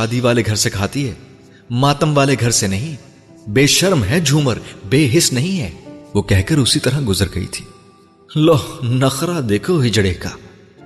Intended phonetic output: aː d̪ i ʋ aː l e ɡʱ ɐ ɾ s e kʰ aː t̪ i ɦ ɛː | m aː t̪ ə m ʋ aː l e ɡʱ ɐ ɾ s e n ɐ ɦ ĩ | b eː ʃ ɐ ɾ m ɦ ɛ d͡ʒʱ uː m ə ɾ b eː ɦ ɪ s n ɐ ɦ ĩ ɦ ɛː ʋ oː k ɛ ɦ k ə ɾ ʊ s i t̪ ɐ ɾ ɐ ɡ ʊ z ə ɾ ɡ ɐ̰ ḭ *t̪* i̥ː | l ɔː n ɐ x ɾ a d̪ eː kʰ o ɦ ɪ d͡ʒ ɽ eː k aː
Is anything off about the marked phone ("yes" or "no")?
yes